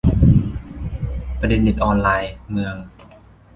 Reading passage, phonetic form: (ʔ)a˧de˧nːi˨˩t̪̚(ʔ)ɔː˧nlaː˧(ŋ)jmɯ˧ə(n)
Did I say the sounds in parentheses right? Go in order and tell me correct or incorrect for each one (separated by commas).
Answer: incorrect, correct, incorrect, incorrect